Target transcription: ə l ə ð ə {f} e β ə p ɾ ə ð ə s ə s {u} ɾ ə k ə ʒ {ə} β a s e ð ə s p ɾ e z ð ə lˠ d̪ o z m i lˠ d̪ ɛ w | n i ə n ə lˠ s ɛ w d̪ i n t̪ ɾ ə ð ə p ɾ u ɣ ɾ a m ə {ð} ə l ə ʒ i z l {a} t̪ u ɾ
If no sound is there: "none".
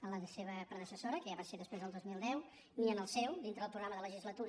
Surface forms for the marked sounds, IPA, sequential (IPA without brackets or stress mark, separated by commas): s, o, a, ð, ə